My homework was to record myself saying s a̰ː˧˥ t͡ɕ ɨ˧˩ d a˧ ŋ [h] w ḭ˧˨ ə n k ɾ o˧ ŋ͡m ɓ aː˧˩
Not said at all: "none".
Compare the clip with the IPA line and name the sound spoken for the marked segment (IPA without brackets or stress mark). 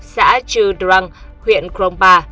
h